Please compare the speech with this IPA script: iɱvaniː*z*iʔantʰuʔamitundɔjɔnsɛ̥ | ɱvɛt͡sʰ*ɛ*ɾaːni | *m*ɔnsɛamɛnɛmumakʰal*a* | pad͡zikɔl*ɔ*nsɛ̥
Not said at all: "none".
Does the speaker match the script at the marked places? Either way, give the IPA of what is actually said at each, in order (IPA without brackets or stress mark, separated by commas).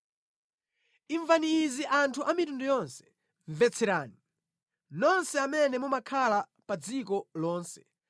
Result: z, ɛ, n, a, ɔː